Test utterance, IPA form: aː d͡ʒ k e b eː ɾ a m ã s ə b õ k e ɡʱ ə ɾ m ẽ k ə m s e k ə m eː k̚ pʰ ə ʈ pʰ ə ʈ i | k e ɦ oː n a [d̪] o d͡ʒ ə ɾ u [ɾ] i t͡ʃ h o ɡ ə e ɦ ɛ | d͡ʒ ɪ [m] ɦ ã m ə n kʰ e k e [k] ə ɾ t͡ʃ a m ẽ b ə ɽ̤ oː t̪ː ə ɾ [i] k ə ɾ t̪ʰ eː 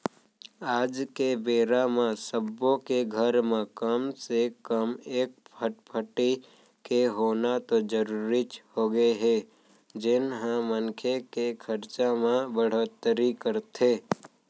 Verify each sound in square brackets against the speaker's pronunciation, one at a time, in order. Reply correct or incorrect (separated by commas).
incorrect, correct, incorrect, incorrect, correct